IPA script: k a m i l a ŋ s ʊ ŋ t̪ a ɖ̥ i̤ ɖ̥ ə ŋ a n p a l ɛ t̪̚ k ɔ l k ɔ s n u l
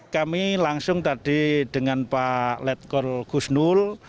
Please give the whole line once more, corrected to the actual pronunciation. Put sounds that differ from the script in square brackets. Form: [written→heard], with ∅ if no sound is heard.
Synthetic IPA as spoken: k a m i l a ŋ s ʊ ŋ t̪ a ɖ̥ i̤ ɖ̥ ə ŋ a n p a l ɛ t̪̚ k ɔ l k [ɔ→u] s n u l